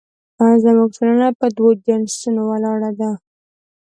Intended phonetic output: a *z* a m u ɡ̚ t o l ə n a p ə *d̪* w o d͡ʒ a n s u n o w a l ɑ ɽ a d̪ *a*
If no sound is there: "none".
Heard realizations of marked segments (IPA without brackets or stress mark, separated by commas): z, d̪, a